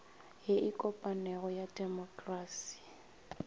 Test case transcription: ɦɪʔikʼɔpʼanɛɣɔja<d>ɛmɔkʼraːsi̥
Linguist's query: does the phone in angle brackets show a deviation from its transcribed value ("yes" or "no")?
no